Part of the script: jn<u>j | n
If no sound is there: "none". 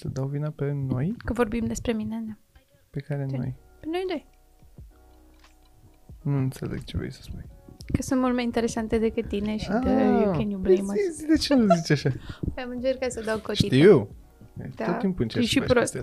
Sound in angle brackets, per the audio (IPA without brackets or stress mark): o